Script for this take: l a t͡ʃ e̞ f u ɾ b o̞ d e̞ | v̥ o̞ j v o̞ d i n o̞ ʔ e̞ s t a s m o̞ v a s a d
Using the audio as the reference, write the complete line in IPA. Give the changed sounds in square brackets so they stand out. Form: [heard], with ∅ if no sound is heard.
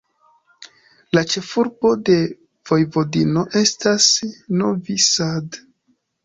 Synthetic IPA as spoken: l a t͡ʃ e̞ f u ɾ b o̞ d e̞ | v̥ o̞ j v o̞ d i n o̞ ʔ e̞ s t a s [n] o̞ v [i] s a d